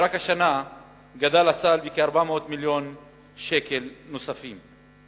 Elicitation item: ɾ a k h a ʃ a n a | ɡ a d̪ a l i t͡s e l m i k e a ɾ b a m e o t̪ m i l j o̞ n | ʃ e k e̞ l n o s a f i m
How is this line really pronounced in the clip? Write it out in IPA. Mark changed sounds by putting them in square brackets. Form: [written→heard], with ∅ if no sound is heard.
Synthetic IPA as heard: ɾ a k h a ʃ a n a | ɡ a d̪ a l [i→a] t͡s [e→a] l [m→b] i k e a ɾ b a m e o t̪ m i l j o̞ n | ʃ e k e̞ l n o s a f i m

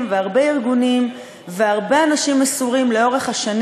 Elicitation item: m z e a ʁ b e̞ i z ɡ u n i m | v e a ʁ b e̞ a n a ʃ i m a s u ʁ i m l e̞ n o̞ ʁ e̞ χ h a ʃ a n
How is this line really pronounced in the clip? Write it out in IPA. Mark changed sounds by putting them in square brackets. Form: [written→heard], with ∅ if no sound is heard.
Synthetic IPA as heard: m [z→v] e a ʁ b e̞ i [z→ʁ] ɡ u n i m | v e a ʁ b e̞ a n a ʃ i m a s u ʁ i m l e̞ [n→∅] o̞ ʁ e̞ χ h a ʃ a n

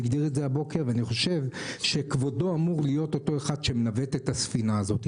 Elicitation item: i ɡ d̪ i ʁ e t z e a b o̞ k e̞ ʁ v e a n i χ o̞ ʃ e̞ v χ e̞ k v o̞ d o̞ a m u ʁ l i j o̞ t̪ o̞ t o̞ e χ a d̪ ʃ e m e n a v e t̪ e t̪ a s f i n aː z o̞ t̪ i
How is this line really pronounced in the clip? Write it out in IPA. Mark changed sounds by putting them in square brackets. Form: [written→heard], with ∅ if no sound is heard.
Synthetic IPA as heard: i ɡ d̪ i ʁ e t z e a b o̞ k e̞ ʁ v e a n i χ o̞ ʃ e̞ v [χ→ʃ] e̞ k v o̞ d o̞ a m u ʁ l i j o̞ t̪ o̞ t o̞ e χ a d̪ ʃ e m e n a v e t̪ e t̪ a s f i n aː z o̞ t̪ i

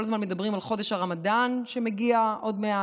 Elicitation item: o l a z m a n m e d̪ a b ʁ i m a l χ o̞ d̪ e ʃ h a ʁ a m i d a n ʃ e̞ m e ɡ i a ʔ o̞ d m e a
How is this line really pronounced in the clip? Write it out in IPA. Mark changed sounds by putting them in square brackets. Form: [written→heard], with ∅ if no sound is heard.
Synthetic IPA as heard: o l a z m a n m e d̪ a b ʁ i m a l χ o̞ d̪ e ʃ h a ʁ a m [i→a] d a n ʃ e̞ m e ɡ i a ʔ o̞ d m e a

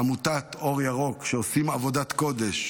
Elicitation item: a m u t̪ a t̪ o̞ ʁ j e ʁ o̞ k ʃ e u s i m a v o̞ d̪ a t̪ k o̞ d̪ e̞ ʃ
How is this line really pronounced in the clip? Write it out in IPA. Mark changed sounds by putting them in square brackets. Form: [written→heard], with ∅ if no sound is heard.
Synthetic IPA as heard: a m u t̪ a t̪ o̞ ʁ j [e→a] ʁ o̞ k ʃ e [u→o] s i m a v o̞ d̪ a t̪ k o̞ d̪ e̞ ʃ

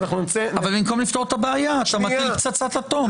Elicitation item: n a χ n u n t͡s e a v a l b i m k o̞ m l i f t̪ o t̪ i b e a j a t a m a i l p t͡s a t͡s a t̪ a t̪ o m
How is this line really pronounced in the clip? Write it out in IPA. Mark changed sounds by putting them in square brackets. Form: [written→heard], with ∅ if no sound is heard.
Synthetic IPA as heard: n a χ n u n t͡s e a v a l b i m k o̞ m l i f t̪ o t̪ [i→a] b e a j a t a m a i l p t͡s a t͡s a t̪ a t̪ o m

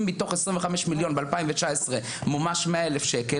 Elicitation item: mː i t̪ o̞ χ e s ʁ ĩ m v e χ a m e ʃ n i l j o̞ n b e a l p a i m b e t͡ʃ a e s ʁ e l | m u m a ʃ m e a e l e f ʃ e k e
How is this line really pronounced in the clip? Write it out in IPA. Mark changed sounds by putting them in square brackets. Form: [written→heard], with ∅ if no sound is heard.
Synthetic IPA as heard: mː i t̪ o̞ χ e s ʁ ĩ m v e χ a m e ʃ [n→m] i l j o̞ n b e a l p a i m [b→v] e t͡ʃ a e s ʁ e [l→∅] | m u m a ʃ m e a e l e f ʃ e k e

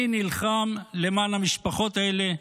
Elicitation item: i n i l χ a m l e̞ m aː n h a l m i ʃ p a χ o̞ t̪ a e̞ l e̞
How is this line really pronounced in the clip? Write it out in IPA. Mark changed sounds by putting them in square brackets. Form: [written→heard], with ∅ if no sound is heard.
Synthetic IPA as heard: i n i l χ a m l e̞ m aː n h a [l→∅] m i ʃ p a χ o̞ t̪ a e̞ l e̞

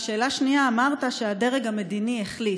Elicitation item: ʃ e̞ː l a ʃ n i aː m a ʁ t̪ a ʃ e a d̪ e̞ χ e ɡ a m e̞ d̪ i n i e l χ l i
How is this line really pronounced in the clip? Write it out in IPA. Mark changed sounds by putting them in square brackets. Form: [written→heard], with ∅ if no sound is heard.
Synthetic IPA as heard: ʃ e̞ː l a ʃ n i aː m a ʁ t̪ a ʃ e a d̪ e̞ [χ→ʁ] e ɡ a m e̞ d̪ i n i e [l→∅] χ l i

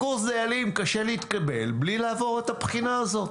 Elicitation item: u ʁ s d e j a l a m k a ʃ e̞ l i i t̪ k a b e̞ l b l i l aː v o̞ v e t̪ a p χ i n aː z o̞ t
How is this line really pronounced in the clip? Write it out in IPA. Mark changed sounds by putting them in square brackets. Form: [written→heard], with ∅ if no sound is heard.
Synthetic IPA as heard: u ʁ s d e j a l [a→i] m k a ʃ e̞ l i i t̪ k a b e̞ l b l i l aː v o̞ [v→ʁ] e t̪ a p χ i n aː z o̞ t

